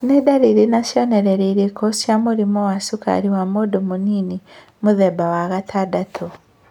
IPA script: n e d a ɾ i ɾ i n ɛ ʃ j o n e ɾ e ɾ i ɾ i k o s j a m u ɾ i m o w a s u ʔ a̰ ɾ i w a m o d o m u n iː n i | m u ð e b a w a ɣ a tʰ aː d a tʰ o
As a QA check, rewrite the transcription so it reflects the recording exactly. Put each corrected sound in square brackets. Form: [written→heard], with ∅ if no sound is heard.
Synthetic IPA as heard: n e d a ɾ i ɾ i n [ɛ→a] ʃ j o n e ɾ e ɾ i ɾ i k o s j a m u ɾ i m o w a s u [ʔ→k] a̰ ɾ i w a m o d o m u n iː n i | m u ð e b a w a ɣ a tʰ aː d a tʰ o